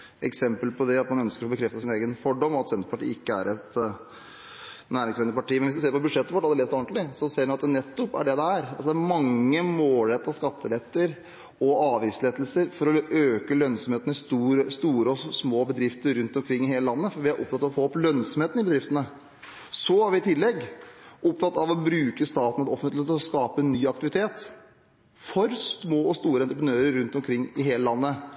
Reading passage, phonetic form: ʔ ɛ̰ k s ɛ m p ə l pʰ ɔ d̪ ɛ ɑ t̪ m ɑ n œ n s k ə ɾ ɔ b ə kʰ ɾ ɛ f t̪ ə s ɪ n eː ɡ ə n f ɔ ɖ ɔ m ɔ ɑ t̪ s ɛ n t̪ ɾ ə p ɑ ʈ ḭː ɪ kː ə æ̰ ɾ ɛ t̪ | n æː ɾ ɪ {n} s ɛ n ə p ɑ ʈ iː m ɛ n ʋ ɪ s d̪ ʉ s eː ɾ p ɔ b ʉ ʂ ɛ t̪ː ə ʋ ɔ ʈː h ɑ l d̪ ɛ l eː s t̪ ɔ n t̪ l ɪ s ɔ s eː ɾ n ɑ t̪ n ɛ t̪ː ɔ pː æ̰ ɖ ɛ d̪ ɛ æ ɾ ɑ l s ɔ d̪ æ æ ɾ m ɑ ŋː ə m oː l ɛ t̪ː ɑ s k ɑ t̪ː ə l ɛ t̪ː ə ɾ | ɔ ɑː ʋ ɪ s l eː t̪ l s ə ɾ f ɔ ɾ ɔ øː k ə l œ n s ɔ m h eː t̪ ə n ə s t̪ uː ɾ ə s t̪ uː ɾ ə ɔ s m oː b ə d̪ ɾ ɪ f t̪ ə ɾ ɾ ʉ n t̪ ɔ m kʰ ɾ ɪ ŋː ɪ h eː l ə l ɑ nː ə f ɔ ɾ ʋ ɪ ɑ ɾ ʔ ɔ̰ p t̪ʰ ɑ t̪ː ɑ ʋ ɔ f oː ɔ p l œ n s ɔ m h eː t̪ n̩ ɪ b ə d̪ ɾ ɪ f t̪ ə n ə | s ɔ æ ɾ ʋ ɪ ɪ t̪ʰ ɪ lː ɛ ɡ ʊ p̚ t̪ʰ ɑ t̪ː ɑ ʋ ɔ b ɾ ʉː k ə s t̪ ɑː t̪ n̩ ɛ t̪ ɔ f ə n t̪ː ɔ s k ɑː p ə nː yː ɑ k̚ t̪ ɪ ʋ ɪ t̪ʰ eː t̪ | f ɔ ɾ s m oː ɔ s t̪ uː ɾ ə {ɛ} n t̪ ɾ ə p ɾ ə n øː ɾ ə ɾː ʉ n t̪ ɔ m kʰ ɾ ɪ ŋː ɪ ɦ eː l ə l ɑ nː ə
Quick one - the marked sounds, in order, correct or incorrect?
incorrect, correct

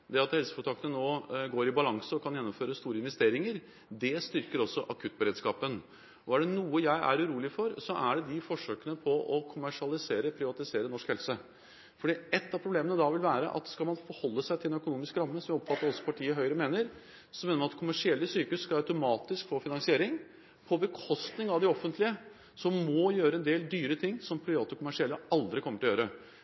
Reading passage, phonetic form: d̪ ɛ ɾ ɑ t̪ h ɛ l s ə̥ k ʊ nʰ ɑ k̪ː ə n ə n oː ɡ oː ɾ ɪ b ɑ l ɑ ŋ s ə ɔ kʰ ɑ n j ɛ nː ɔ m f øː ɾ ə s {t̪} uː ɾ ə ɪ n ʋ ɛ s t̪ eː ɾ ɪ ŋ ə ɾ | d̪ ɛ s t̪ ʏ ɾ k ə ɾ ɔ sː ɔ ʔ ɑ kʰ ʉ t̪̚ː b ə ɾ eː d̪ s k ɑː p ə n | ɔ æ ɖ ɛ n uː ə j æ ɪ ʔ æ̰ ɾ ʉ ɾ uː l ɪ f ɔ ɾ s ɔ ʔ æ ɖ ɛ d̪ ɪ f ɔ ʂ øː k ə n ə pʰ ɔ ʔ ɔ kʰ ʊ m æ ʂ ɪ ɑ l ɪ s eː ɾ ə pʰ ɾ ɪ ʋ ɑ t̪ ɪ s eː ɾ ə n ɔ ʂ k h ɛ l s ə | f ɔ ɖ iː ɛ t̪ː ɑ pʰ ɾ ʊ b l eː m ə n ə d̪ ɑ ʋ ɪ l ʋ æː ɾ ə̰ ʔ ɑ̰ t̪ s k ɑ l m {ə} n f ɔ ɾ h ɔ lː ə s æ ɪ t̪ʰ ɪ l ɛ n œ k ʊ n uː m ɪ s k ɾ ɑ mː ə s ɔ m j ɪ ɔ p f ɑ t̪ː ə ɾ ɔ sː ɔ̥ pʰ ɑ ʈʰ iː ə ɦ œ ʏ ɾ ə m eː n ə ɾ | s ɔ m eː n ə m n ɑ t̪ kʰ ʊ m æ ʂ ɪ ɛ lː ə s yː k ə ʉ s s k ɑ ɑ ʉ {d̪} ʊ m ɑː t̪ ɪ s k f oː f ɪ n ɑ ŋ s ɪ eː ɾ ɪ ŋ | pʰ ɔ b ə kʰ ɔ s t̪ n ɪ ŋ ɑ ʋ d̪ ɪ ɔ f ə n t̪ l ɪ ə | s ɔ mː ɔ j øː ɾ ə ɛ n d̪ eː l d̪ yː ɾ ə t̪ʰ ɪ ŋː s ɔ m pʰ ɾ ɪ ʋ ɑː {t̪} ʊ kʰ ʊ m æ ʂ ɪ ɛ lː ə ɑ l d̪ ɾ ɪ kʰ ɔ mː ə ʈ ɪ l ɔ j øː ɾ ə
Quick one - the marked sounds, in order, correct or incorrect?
correct, incorrect, incorrect, correct

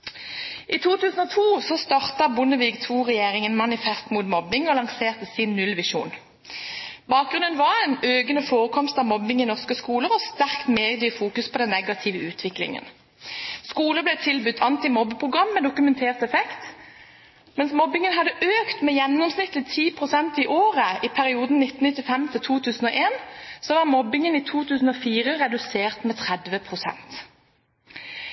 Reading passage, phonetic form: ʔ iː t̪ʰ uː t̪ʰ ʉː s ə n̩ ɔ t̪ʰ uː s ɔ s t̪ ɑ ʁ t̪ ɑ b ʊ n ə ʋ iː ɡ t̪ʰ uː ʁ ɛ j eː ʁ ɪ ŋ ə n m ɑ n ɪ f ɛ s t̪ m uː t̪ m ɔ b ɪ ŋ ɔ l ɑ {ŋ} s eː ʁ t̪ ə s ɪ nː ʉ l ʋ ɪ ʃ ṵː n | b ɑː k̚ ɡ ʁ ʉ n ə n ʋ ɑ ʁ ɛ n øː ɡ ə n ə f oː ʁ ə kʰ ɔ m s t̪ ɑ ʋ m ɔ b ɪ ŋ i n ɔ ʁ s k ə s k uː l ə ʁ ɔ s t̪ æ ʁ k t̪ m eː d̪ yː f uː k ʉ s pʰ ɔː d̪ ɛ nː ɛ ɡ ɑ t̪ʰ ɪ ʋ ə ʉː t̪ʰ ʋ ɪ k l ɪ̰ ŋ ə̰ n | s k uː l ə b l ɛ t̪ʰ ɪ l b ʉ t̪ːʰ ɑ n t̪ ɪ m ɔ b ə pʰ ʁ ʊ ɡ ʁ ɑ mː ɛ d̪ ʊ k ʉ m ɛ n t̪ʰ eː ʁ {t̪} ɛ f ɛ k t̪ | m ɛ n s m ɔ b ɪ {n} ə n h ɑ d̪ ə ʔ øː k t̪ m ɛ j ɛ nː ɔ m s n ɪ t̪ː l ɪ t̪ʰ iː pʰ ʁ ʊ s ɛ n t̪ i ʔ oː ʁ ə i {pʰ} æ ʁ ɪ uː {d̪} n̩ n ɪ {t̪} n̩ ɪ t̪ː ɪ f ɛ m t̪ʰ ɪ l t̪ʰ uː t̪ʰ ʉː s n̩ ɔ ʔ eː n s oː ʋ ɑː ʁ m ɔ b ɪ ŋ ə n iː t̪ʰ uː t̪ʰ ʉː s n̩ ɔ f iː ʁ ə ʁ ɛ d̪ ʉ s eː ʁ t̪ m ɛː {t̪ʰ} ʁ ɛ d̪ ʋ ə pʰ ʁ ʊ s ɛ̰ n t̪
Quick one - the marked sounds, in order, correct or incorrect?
correct, correct, incorrect, correct, correct, correct, correct

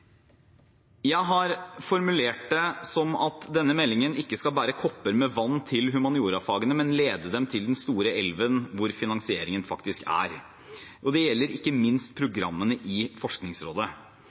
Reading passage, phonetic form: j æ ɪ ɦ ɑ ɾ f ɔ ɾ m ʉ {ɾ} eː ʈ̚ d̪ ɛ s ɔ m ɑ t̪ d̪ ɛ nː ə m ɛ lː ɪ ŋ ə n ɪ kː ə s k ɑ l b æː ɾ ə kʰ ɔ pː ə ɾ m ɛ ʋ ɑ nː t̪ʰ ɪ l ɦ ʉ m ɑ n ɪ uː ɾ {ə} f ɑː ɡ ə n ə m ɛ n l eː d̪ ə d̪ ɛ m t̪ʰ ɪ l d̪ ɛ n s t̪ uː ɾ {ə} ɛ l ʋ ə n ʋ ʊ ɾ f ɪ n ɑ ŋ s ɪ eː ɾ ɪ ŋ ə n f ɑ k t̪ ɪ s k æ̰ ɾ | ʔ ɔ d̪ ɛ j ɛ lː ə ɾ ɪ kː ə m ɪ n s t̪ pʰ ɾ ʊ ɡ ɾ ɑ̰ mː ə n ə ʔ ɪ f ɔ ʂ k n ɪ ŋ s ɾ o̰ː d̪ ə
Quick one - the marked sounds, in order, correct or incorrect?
incorrect, incorrect, correct

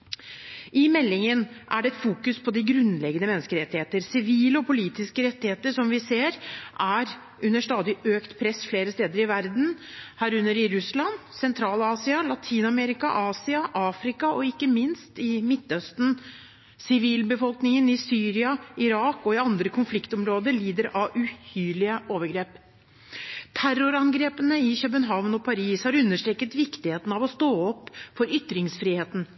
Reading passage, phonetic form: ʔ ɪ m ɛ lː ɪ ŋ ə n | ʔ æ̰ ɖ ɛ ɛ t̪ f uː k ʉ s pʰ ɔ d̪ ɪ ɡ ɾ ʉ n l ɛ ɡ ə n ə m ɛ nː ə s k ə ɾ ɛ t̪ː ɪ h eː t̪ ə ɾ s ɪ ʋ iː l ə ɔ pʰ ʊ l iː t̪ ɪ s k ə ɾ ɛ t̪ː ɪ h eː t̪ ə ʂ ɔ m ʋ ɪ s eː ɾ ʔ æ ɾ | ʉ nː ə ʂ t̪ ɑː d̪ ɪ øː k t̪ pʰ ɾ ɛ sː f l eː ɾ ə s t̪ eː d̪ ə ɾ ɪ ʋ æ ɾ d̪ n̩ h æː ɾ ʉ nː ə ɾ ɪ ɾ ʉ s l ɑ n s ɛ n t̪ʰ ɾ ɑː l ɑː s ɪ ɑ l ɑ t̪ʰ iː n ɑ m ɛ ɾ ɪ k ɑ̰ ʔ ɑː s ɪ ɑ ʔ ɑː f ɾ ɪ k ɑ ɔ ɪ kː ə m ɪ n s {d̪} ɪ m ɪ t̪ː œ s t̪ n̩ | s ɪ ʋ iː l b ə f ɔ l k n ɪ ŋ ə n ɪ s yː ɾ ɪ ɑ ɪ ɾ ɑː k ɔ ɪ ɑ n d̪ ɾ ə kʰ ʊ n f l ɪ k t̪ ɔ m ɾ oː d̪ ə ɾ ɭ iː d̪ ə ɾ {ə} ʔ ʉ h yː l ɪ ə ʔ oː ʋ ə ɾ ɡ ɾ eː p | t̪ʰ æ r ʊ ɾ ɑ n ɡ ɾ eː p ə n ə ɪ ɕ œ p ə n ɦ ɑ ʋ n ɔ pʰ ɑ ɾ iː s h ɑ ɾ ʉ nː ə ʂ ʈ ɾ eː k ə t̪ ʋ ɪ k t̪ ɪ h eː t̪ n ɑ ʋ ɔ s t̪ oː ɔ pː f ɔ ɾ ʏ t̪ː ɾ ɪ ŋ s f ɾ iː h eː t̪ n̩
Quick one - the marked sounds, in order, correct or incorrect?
incorrect, incorrect

